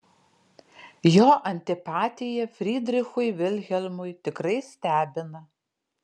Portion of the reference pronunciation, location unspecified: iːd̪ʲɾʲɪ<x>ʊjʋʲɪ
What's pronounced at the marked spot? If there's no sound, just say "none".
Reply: x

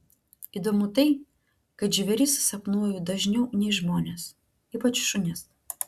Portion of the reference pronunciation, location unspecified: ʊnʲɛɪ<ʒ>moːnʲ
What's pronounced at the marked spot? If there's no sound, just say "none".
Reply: ʒ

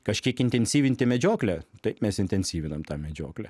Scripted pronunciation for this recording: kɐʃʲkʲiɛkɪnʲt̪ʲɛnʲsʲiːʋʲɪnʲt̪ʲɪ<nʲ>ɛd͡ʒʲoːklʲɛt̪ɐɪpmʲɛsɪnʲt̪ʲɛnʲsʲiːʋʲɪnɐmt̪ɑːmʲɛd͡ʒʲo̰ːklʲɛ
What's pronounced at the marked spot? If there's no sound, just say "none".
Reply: mʲ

